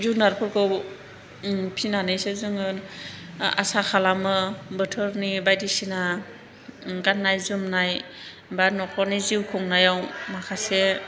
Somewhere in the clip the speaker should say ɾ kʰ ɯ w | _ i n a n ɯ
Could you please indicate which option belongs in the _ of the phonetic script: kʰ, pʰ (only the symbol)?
pʰ